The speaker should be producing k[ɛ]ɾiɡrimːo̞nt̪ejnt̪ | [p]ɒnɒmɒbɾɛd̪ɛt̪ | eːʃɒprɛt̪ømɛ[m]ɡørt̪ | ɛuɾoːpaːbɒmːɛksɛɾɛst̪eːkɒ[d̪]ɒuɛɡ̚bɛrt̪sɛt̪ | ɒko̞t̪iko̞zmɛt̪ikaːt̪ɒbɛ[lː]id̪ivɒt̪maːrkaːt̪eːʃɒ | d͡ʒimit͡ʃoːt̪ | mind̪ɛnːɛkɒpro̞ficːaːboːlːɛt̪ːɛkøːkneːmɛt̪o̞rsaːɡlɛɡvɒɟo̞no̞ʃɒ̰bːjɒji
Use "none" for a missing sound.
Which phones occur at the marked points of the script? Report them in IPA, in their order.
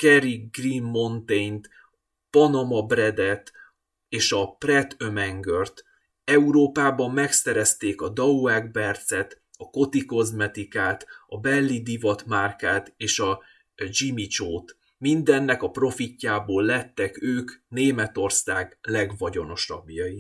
ɛ, p, ŋ, d̪, lː

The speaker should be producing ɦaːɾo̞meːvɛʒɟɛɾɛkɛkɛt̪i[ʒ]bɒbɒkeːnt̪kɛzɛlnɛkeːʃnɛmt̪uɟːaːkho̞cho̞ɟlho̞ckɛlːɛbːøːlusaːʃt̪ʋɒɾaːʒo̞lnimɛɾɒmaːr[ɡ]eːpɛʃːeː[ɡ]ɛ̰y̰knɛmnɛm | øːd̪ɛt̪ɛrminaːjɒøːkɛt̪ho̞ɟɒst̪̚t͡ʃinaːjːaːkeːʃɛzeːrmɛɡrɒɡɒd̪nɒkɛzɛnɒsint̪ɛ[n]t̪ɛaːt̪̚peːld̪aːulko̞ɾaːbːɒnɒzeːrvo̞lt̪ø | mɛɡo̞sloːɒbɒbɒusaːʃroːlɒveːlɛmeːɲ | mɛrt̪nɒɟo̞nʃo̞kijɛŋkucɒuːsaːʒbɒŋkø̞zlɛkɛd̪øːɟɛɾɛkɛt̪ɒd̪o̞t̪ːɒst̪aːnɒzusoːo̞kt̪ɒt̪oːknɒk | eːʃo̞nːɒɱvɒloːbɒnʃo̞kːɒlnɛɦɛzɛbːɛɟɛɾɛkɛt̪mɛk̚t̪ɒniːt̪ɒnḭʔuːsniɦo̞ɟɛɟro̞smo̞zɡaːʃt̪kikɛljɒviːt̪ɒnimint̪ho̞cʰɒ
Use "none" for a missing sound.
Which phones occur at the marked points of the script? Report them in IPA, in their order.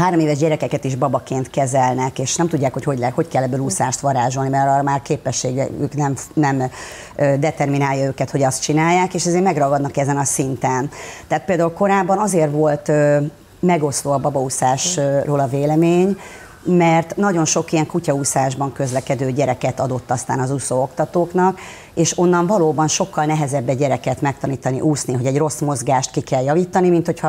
ʒ, k, ɡ, n

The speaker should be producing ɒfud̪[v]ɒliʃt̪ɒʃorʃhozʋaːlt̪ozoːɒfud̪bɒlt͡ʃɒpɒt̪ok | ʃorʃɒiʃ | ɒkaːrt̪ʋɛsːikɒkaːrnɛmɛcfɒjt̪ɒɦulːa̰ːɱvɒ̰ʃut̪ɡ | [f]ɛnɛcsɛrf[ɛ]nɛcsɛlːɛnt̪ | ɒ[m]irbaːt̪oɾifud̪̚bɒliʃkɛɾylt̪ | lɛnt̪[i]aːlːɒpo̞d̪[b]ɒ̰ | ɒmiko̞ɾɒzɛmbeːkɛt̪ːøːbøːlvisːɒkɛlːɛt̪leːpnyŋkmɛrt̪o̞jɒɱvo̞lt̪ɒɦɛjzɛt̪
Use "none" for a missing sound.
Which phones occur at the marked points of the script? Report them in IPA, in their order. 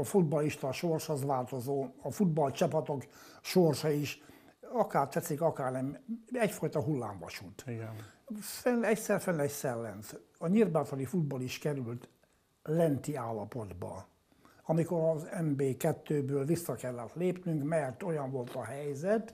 b, f, ɛ, ɲ, i, b

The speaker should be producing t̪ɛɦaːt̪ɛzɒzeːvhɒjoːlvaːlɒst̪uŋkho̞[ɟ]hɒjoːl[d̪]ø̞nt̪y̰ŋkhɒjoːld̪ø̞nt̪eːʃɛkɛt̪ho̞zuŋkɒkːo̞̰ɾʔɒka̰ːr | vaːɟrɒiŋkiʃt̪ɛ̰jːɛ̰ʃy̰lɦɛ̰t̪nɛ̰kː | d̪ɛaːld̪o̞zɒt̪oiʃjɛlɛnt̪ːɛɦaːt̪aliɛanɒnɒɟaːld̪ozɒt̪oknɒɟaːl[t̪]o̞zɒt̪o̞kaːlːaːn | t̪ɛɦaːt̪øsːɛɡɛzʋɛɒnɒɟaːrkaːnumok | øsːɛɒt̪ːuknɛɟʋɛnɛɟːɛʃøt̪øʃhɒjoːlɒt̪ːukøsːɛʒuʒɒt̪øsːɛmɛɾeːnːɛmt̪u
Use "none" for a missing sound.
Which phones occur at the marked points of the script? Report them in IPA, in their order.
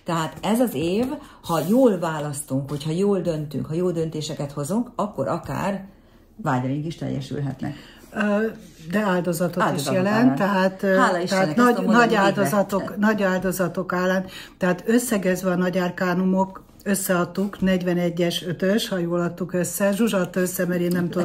c, d̪, d̪

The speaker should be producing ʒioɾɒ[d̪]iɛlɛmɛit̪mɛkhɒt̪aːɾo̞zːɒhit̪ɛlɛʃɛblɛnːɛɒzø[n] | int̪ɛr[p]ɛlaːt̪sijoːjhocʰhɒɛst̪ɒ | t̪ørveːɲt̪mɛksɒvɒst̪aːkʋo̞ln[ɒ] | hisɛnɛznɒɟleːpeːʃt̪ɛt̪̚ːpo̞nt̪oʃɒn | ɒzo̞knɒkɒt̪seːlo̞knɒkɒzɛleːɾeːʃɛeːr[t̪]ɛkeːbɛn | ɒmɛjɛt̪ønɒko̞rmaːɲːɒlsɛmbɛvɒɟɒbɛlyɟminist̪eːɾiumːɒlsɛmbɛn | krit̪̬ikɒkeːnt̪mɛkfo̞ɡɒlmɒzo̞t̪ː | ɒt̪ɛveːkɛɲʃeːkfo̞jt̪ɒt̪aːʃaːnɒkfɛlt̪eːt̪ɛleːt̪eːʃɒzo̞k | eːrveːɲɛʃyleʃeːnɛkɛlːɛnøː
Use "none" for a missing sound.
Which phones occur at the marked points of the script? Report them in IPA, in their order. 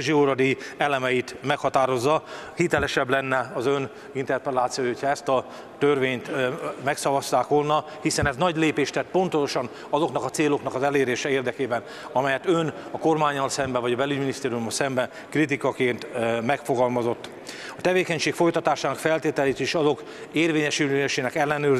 d̪, n, p, ɒ, d̪

